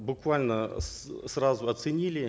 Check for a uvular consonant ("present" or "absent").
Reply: absent